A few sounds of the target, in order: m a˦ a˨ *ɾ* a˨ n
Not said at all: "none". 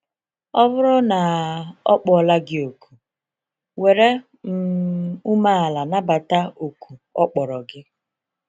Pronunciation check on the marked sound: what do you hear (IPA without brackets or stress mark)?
l